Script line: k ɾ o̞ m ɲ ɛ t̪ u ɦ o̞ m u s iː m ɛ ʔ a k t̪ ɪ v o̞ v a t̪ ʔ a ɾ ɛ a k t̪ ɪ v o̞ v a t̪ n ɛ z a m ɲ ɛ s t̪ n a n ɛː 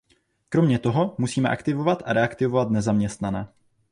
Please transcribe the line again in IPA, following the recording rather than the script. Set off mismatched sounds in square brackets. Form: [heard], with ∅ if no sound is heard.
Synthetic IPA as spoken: k ɾ o̞ m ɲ ɛ t̪ [o] ɦ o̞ m u s iː m ɛ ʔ a k t̪ ɪ v o̞ v a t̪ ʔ a ɾ ɛ a k t̪ ɪ v o̞ v a t̪ n ɛ z a m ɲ ɛ s t̪ n a n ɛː

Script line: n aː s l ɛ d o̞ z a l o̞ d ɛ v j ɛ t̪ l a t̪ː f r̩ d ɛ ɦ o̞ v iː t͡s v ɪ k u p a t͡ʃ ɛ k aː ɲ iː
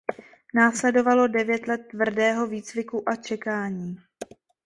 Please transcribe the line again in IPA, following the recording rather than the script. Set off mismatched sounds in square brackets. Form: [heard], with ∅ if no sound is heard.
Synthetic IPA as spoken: n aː s l ɛ d o̞ [v] a l o̞ d ɛ v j ɛ t̪ l [ɛ] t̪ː [v] r̩ d [ɛː] ɦ o̞ v iː t͡s v ɪ k u [ʔ] a t͡ʃ ɛ k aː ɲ iː

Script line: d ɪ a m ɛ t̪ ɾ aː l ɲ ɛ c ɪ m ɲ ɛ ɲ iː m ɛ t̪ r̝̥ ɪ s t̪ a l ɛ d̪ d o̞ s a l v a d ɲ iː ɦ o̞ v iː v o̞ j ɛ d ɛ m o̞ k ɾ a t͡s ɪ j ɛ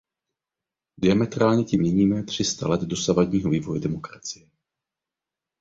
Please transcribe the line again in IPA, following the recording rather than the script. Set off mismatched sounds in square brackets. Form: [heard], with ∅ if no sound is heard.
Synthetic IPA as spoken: d ɪ a m ɛ t̪ ɾ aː l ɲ ɛ c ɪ m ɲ ɛ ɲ iː m ɛ t̪ r̝̥ ɪ s t̪ a l ɛ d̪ d o̞ s a [∅] v a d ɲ iː ɦ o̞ v iː v o̞ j ɛ d ɛ m o̞ k ɾ a t͡s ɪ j ɛ

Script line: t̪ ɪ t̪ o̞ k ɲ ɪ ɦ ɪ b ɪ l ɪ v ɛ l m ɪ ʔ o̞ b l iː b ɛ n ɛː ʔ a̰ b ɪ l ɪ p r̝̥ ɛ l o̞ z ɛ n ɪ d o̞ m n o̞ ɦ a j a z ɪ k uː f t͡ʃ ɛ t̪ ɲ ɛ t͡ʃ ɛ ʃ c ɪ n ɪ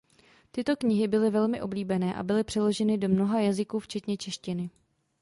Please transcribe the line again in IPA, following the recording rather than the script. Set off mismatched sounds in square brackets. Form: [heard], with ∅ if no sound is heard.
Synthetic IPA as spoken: t̪ ɪ t̪ o̞ k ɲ ɪ ɦ ɪ b ɪ l ɪ v ɛ l m ɪ ʔ o̞ b l iː b ɛ n ɛː ʔ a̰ b ɪ l ɪ p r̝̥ ɛ l o̞ [ʒ] ɛ n ɪ d o̞ m n o̞ ɦ a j a z ɪ k uː f t͡ʃ ɛ t̪ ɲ ɛ t͡ʃ ɛ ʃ c ɪ n ɪ

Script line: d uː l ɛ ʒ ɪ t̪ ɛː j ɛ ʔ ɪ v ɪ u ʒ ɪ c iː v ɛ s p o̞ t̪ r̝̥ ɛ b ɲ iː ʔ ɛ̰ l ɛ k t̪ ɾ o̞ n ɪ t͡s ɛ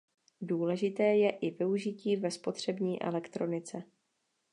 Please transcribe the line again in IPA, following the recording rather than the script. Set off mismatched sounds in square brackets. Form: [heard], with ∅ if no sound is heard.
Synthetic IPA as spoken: d uː l ɛ ʒ ɪ t̪ ɛː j ɛ ʔ ɪ v ɪ u ʒ ɪ c iː v ɛ s p o̞ t̪ r̝̥ ɛ b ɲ iː ʔ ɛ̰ l ɛ k t̪ ɾ o̞ n ɪ t͡s ɛ

